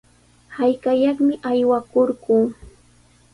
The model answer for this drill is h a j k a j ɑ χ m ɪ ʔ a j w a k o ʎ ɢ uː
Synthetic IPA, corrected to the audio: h a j k a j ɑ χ m ɪ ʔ a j w a k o ɾ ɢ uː